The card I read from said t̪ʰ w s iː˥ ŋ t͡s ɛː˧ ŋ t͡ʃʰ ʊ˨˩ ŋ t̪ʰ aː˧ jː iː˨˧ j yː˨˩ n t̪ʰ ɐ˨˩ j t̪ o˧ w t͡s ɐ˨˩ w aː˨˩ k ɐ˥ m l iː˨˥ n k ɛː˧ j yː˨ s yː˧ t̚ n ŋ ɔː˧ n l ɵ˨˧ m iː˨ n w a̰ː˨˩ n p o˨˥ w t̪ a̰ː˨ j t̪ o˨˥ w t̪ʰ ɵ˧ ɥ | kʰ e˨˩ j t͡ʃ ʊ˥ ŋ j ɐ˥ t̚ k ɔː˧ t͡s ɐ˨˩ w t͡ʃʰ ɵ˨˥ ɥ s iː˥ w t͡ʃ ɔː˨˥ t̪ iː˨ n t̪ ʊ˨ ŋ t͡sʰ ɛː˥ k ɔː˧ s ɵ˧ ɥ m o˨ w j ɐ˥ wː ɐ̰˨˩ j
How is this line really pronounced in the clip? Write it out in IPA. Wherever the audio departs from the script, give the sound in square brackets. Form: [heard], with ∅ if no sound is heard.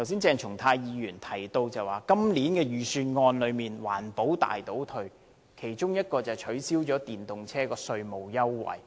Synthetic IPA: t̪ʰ w s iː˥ [n] t͡s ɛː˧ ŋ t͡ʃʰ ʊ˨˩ ŋ t̪ʰ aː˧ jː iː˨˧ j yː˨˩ n t̪ʰ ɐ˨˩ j t̪ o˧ w t͡s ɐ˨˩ w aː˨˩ k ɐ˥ m l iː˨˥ n k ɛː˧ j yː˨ s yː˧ [∅] n ŋ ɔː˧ n l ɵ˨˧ m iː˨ n w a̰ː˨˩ n p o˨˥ w t̪ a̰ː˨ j t̪ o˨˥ w t̪ʰ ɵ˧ ɥ | kʰ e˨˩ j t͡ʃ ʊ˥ ŋ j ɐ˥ t̚ k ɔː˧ t͡s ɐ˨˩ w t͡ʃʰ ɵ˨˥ ɥ s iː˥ w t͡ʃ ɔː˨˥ t̪ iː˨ n t̪ ʊ˨ ŋ t͡sʰ ɛː˥ k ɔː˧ s ɵ˧ ɥ m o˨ w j ɐ˥ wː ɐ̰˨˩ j